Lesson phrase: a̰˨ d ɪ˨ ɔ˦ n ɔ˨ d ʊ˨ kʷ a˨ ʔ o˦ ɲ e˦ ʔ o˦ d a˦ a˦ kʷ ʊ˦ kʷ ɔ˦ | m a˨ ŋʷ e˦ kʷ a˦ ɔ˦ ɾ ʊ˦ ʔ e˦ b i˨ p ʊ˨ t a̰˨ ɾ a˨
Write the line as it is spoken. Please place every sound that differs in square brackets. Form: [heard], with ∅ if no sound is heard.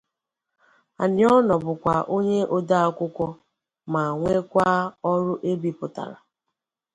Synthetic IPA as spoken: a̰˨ [n] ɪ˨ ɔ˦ n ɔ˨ [b] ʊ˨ kʷ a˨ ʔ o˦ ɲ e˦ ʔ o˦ d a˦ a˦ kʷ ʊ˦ kʷ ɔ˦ | m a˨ ŋʷ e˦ kʷ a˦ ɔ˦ ɾ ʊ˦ ʔ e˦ b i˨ p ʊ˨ t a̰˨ ɾ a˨